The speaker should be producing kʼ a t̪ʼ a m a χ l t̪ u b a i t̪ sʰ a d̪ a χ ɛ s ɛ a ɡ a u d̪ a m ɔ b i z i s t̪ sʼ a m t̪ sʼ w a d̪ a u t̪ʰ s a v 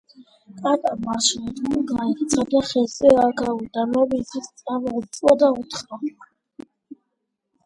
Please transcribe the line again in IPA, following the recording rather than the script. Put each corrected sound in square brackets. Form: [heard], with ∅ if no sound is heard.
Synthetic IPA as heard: kʼ a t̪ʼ a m a [ʃ] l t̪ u [ɡ] a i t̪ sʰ a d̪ a χ ɛ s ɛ a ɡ a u d̪ a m ɔ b i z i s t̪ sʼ a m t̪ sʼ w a d̪ a u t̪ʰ [χ] a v